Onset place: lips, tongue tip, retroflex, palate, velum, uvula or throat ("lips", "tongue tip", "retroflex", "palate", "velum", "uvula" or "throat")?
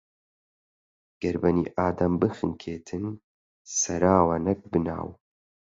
velum